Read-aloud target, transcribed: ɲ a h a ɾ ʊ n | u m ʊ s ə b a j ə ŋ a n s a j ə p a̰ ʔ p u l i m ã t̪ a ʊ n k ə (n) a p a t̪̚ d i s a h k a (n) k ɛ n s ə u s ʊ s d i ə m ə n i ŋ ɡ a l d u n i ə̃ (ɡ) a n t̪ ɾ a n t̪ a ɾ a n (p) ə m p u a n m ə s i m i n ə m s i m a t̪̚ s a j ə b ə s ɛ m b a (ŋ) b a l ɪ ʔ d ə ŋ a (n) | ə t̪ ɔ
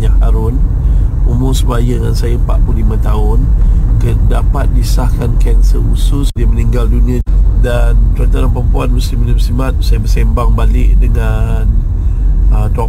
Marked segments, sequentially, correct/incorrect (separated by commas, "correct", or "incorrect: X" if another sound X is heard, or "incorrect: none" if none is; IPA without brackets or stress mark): incorrect: d, correct, incorrect: d, correct, correct, correct